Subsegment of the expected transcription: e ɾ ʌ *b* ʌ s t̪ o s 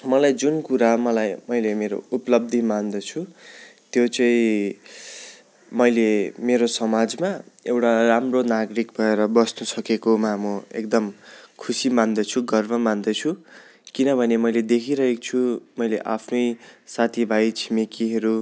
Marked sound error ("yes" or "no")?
no